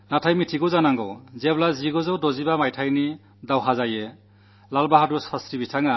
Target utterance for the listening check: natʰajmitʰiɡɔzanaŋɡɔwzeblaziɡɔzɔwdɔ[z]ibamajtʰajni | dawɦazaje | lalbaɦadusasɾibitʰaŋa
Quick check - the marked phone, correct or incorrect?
correct